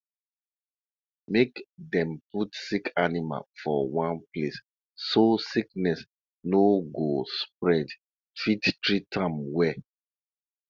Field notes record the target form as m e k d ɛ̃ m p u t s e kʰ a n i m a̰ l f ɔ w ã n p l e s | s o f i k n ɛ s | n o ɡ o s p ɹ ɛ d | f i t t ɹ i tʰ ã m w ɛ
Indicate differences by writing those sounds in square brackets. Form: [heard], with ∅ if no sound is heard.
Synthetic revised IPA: m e k d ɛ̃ m p u t s [i] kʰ a n i m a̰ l f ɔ w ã n p l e s | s o [s] i k n ɛ s | n o ɡ o s p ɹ ɛ d | f i t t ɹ i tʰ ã m w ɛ

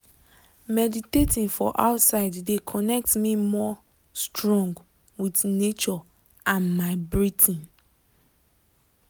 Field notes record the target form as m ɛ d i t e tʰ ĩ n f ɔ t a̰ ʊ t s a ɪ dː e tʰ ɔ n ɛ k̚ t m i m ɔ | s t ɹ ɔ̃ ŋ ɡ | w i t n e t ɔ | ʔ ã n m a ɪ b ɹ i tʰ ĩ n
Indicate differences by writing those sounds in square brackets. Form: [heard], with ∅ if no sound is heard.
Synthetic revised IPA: m ɛ d i t e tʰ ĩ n f ɔ [ʔ] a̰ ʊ t s a ɪ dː e [kʰ] ɔ n ɛ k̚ t m i m ɔ | s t ɹ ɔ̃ ŋ ɡ | w i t n e [t͡ʃ] ɔ | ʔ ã n m a ɪ b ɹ i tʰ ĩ n

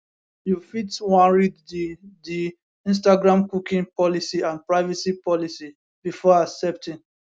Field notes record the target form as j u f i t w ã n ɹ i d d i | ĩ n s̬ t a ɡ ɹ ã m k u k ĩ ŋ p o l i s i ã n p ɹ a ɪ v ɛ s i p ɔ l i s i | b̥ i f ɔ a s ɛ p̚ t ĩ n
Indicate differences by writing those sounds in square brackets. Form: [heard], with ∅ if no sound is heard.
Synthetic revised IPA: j u f i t w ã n ɹ i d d i | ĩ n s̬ t a ɡ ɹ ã m k u k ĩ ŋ p [ɔ] l i s i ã n p ɹ a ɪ v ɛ s i p ɔ l i s i | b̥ i f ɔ a s ɛ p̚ t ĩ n

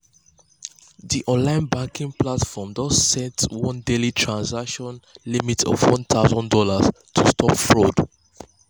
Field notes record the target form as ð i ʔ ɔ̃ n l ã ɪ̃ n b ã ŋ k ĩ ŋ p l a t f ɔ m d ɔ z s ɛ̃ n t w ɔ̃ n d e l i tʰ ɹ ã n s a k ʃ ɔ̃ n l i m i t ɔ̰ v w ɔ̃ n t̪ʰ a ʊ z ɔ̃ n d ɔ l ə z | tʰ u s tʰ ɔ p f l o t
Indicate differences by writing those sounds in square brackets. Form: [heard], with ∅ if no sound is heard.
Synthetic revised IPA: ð i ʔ ɔ̃ n l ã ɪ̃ n b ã ŋ k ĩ ŋ p l a t f ɔ m d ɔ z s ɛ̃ n t w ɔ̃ n d e l i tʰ ɹ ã n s a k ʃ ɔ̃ n l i m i t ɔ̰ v w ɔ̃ n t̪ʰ a ʊ z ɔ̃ n d ɔ l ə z | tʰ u s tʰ ɔ p f [ɹ] o [d]

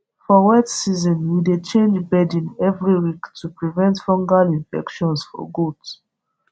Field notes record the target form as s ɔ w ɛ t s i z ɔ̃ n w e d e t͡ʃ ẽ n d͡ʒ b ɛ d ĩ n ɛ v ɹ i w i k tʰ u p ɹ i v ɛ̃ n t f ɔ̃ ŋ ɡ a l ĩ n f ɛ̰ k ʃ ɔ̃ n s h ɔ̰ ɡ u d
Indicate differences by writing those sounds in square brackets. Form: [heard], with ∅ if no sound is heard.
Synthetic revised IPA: [f] ɔ w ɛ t s i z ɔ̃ n w [i] d e t͡ʃ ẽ n d͡ʒ b ɛ d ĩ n ɛ v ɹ i w i k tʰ u p ɹ i v ɛ̃ n t f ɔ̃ ŋ ɡ a l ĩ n f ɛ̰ k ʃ ɔ̃ n s [f] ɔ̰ ɡ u d

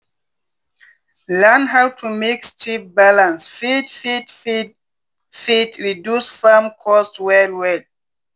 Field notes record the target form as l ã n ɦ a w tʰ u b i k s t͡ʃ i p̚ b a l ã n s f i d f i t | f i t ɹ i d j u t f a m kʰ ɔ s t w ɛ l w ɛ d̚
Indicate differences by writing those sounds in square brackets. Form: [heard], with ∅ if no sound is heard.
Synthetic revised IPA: l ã n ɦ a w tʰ u [m] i k s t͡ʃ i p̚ b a l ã n s f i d f i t | f i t ɹ i d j u [s] f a m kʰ ɔ s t w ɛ l w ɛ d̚

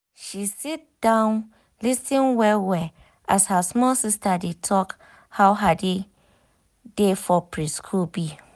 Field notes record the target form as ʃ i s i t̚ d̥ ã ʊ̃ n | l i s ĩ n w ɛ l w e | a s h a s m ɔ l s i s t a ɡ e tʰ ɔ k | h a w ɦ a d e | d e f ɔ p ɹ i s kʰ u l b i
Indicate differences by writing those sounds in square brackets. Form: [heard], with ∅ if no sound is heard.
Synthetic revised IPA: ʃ i s i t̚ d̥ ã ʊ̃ n | l i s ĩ n w ɛ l w [ɛ] | a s h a s m ɔ l s i s t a [d] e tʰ ɔ k | h a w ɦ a d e | d e f ɔ p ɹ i s kʰ u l b i

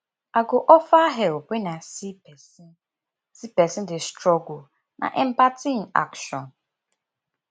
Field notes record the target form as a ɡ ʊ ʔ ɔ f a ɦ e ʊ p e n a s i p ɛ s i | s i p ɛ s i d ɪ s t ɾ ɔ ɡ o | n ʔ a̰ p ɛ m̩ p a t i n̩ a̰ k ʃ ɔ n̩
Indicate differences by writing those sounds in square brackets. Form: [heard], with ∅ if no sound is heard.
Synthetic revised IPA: a ɡ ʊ ʔ ɔ f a ɦ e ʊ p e n a s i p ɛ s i | s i p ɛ s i d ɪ s t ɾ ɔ ɡ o | n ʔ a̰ [ʔ] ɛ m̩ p a t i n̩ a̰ k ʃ ɔ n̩

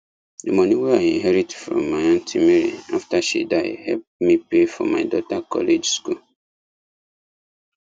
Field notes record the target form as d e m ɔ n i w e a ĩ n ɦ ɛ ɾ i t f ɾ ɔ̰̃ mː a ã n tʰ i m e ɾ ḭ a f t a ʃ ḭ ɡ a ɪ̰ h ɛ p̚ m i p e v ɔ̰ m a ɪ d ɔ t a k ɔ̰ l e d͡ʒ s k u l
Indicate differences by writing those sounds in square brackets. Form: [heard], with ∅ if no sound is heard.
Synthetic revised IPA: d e m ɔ n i w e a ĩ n ɦ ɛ ɾ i t f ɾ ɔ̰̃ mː a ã n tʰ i m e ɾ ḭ a f t a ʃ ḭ [d] a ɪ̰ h ɛ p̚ m i p e [f] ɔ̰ m a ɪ d ɔ t a k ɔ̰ l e d͡ʒ s k u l

